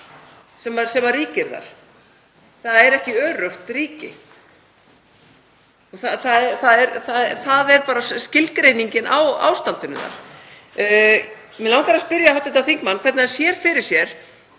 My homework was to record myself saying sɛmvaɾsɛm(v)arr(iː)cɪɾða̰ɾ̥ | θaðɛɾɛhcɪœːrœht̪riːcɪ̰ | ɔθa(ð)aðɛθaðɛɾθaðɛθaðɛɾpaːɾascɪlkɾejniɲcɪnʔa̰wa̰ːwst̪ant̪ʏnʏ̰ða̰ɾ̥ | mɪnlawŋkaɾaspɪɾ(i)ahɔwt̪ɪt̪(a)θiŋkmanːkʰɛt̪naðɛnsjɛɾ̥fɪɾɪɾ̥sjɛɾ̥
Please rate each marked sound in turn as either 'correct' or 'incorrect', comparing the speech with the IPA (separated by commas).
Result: correct, correct, incorrect, incorrect, correct